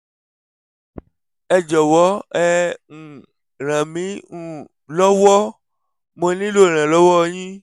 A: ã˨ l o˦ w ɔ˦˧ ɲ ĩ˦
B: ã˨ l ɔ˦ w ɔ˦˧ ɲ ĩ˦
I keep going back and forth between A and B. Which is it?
B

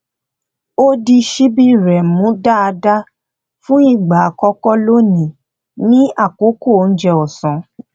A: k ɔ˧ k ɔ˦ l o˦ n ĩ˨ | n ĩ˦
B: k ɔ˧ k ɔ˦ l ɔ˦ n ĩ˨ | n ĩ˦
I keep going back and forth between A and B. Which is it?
A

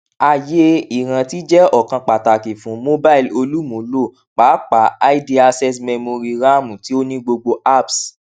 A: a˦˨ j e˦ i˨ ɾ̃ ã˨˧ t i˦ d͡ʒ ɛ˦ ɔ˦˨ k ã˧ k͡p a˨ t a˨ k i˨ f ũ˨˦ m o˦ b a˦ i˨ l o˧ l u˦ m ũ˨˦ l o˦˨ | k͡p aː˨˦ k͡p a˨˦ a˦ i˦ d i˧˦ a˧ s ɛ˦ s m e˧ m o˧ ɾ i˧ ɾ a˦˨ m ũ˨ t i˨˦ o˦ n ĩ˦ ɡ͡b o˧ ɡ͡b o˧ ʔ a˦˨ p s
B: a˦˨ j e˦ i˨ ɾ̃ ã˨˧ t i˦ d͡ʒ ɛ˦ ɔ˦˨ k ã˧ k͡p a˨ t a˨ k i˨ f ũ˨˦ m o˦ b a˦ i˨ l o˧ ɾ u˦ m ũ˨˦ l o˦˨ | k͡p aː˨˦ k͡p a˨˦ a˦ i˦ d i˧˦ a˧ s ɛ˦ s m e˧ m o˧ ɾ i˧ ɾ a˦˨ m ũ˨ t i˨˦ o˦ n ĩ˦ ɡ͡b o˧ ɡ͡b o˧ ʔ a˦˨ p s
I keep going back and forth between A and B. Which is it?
A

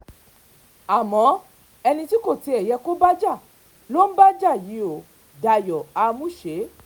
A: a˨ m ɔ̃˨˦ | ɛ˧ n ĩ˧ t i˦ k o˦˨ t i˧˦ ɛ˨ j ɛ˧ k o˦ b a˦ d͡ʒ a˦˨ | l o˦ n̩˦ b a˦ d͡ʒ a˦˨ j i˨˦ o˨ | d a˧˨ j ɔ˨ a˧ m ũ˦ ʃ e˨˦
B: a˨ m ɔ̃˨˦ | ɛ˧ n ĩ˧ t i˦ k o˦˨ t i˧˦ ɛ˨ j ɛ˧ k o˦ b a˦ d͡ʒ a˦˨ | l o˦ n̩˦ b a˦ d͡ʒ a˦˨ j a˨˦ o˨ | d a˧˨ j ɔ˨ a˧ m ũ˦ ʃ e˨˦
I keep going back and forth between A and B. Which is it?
A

